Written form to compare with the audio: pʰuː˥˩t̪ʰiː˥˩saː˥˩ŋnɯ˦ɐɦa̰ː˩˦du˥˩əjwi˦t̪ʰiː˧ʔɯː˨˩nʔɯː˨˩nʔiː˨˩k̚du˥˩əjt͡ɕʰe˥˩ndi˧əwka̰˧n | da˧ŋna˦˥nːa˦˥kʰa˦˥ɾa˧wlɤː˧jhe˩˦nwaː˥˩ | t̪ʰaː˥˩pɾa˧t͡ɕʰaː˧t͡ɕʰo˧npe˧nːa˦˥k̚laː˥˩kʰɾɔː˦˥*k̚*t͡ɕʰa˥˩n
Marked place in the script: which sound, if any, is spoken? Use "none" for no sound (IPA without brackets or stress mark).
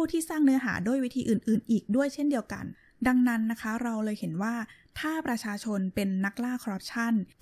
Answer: p̚